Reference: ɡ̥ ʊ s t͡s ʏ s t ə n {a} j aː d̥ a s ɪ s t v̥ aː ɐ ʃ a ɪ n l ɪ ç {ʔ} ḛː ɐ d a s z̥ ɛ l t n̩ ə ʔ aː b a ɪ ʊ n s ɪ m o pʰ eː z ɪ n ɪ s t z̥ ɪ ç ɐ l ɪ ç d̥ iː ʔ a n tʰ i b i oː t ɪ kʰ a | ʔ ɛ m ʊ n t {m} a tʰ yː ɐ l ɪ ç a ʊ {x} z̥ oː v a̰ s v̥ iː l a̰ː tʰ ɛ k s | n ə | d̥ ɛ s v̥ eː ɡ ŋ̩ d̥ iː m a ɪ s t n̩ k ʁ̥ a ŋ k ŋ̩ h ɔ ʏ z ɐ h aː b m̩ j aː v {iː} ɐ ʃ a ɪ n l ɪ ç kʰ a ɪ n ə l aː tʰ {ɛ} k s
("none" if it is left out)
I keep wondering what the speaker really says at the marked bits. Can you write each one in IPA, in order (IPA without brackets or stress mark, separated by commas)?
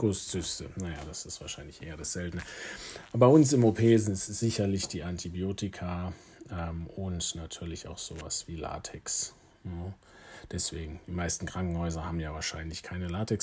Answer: a, ʔ, n, x, aː, ɛ